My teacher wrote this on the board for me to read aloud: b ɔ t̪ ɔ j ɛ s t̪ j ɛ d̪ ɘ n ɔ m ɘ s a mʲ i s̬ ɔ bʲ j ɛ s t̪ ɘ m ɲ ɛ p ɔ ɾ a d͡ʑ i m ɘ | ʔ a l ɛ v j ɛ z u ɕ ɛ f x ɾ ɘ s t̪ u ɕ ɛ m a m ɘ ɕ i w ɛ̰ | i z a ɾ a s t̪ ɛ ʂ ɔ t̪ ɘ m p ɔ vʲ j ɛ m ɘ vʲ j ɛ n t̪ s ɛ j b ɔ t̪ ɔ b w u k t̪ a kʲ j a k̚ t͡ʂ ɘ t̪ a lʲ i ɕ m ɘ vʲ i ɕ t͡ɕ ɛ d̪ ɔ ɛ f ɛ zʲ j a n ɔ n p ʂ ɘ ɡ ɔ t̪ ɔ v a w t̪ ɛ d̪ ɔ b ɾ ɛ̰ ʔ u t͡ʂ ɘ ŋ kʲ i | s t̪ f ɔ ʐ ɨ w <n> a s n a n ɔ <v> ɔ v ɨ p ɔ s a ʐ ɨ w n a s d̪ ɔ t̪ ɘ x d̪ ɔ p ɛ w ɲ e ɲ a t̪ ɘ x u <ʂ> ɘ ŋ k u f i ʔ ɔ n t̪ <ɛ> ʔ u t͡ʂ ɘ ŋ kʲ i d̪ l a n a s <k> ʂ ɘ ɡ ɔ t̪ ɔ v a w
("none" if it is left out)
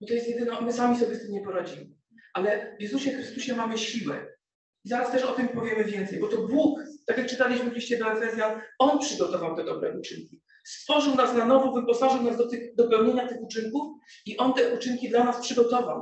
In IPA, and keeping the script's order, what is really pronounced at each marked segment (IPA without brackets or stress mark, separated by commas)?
n, v, t͡ʂ, ɛ, p